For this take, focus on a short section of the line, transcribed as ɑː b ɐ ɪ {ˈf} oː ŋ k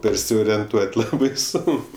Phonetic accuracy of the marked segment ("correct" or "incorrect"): incorrect